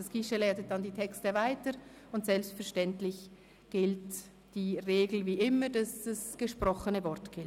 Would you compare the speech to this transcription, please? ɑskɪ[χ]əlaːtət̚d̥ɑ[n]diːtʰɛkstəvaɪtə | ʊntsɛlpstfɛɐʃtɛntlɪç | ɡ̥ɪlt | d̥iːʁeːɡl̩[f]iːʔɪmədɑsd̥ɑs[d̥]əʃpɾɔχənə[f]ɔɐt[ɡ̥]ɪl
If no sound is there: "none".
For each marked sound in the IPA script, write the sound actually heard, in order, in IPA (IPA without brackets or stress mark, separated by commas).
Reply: ʃ, n, v, ɡ̥, v, ɡ̥